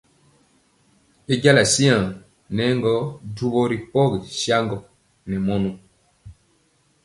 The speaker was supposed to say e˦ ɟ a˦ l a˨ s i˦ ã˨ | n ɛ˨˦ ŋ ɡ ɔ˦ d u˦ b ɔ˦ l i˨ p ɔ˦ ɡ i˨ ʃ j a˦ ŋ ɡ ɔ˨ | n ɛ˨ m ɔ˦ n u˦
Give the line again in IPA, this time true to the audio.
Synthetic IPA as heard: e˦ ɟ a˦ l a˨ s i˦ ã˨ | n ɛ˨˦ ŋ ɡ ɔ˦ d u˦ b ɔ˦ ɾ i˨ p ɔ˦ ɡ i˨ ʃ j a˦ ŋ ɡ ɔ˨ | n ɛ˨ m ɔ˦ n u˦